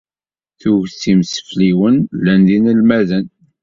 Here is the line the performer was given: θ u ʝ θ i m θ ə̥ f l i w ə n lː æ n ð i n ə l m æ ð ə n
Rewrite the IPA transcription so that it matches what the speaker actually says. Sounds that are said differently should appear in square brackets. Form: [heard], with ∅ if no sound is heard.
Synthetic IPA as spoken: θ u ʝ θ i m [s] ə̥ f l i w ə n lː æ n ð i n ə l m æ ð ə n